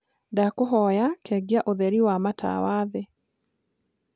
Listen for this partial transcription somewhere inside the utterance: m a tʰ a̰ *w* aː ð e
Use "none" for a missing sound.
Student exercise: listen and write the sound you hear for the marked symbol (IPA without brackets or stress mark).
w